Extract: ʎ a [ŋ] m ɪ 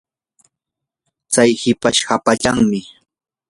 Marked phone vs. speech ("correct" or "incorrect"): correct